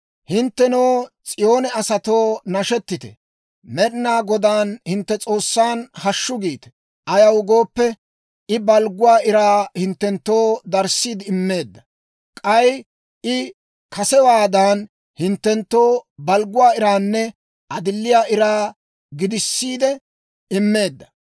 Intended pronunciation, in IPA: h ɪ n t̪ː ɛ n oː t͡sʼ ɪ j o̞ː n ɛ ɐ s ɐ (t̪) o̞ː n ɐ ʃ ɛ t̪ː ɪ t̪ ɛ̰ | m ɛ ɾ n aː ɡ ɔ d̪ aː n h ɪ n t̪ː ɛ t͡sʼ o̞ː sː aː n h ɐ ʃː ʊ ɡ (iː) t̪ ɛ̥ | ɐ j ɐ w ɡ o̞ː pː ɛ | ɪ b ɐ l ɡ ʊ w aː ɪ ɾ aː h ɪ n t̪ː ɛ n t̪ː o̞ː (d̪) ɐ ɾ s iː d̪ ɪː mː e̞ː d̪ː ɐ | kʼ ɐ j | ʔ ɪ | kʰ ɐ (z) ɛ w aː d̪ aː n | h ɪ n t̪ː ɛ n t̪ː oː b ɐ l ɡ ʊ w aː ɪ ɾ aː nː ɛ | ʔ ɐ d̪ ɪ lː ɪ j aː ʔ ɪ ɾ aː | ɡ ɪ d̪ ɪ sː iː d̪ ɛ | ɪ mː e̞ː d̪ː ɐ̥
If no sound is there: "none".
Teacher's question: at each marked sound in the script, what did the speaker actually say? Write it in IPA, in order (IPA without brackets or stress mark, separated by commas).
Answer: t̪, iː, d̪, s